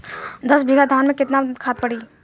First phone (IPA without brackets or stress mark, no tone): d̪